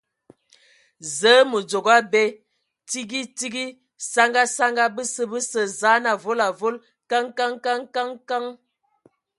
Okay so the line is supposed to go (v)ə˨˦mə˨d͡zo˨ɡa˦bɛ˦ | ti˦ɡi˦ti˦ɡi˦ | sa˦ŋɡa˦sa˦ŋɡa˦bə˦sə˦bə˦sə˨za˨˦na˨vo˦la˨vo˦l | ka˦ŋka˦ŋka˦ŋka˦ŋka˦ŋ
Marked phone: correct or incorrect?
incorrect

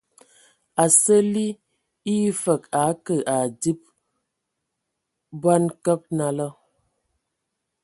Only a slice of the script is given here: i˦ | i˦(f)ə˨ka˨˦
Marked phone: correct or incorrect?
correct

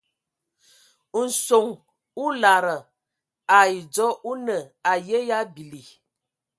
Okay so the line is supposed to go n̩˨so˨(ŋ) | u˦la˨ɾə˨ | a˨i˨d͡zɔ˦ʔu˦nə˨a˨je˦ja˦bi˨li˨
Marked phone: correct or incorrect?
correct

